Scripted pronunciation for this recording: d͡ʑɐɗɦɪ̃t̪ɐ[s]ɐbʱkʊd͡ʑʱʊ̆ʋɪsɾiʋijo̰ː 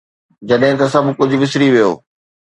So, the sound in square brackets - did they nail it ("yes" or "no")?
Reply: yes